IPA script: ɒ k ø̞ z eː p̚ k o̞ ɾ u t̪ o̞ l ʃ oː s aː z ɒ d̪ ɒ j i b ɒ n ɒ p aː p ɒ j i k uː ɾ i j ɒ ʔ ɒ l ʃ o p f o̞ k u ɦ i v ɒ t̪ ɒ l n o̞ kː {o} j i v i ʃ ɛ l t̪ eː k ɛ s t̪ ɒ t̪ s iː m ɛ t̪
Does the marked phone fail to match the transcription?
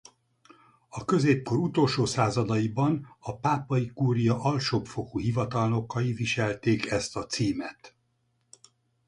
yes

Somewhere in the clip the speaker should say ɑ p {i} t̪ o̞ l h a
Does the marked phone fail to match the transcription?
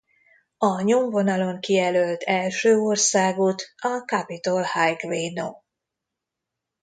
no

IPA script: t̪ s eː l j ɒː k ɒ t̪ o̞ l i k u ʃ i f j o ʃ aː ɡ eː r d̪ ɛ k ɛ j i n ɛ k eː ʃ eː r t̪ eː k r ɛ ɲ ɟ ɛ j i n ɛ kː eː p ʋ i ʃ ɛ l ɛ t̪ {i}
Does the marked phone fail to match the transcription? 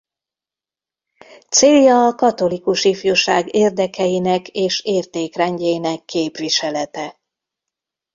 yes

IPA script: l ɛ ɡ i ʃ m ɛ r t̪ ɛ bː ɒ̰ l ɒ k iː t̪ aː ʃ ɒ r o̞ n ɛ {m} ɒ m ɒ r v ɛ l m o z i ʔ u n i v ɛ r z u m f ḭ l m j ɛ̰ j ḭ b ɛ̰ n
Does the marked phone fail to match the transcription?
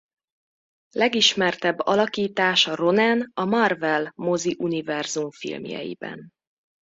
yes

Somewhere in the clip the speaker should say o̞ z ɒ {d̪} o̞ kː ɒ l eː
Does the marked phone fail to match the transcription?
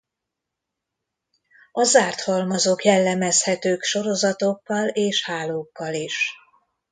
yes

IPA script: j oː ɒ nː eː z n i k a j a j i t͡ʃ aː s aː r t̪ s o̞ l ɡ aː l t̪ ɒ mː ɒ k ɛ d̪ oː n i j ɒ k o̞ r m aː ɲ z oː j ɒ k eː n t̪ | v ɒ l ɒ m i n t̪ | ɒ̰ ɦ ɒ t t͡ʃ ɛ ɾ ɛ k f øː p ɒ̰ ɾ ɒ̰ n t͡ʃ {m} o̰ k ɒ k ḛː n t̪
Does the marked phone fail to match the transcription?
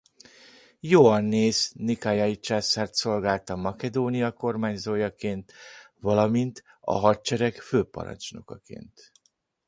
yes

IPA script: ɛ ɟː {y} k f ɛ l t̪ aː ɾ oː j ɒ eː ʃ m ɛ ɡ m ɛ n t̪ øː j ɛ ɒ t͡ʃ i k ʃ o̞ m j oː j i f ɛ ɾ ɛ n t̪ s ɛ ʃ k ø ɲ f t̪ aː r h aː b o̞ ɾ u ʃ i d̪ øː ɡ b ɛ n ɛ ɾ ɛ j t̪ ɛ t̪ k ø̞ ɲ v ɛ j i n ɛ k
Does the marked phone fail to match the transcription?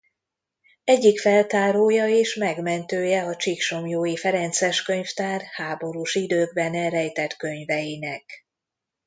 yes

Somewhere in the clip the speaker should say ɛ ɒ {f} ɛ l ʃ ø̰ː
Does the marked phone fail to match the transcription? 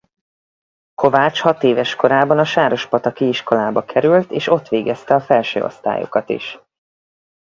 no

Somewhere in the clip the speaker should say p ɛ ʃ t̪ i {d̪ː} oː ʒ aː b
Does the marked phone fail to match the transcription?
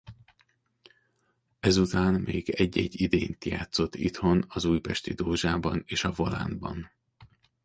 yes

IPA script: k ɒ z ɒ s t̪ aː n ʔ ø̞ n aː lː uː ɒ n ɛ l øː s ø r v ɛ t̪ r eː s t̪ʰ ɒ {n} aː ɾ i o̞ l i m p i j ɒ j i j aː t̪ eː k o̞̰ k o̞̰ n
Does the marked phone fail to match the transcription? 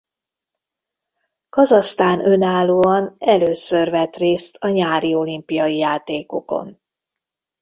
yes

